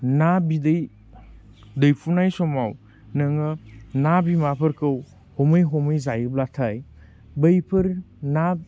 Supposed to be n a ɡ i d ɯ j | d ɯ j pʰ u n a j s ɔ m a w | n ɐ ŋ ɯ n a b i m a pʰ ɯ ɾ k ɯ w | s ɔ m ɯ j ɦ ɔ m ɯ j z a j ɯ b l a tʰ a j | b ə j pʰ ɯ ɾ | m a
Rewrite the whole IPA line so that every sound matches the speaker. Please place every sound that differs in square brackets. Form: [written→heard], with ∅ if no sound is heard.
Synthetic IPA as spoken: n a [ɡ→b] i d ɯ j | d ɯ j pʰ u n a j s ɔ m a w | n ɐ ŋ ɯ n a b i m a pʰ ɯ ɾ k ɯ w | [s→h] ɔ m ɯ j ɦ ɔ m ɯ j z a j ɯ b l a tʰ a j | b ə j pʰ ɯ ɾ | [m→n] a